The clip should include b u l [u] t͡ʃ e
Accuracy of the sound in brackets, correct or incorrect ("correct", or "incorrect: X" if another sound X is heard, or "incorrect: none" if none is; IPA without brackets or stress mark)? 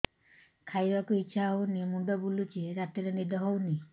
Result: correct